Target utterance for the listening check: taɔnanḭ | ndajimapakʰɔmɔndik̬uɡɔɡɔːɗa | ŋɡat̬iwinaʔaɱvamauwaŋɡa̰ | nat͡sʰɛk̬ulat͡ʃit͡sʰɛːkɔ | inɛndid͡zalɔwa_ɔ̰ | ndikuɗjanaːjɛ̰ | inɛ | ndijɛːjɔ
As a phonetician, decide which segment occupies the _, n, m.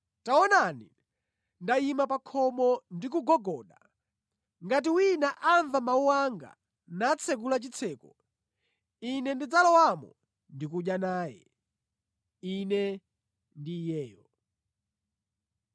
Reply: m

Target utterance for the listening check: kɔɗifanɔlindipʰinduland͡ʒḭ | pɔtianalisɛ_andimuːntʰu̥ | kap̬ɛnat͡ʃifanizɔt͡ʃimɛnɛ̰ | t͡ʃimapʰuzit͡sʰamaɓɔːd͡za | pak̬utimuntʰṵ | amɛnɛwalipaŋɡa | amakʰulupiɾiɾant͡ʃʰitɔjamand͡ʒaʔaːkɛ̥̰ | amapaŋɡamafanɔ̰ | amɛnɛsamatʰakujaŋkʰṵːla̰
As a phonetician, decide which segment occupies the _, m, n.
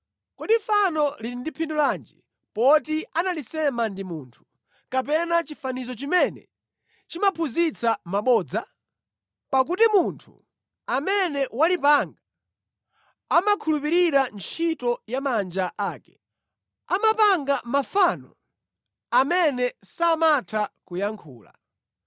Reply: m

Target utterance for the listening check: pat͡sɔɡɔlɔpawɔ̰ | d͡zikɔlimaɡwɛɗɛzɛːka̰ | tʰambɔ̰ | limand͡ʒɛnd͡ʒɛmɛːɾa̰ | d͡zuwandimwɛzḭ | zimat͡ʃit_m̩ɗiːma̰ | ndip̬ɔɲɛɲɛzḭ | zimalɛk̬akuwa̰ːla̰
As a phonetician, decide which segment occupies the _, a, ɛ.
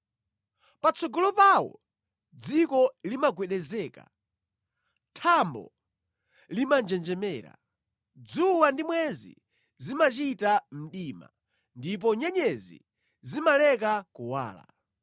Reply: a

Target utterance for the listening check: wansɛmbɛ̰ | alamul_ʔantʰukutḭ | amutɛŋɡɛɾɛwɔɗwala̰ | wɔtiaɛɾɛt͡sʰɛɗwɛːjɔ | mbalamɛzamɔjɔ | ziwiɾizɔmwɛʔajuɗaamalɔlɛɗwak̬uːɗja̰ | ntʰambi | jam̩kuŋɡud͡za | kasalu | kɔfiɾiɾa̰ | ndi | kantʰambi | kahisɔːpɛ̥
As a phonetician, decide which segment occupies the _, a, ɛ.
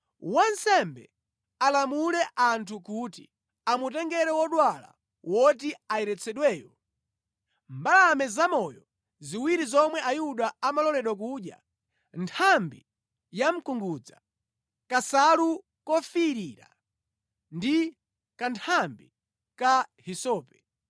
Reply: ɛ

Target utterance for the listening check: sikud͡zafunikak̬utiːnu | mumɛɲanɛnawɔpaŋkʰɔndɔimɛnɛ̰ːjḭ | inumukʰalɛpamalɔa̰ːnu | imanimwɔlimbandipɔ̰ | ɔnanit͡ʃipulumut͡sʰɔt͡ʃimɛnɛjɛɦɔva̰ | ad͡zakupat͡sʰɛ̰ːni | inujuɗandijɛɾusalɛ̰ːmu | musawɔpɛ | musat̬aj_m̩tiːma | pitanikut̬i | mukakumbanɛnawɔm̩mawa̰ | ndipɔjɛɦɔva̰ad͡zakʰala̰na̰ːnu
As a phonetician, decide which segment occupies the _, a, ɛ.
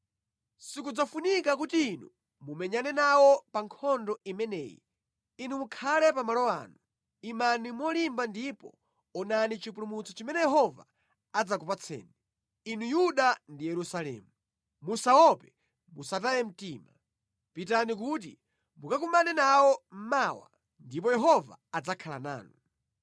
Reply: ɛ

